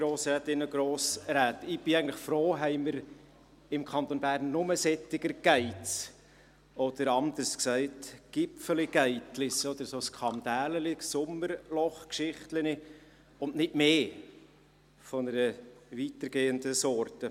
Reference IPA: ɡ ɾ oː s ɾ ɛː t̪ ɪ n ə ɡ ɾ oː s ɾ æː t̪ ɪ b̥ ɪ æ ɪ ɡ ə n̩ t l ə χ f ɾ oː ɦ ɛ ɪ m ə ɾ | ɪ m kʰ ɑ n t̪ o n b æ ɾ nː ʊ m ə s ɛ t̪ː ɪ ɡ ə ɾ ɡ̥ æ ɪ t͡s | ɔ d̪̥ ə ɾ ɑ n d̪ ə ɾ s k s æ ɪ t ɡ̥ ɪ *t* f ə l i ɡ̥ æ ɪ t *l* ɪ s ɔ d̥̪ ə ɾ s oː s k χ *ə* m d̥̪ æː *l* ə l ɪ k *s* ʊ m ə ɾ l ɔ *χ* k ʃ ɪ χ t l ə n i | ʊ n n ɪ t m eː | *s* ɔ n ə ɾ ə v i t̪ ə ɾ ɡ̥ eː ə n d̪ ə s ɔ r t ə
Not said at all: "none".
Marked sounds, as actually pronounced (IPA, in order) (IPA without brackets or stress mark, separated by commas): p, l, ɑ, l, s, χ, f